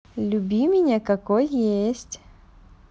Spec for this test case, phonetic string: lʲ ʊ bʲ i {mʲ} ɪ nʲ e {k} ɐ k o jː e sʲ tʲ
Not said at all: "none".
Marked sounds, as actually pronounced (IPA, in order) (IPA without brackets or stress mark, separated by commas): mʲ, k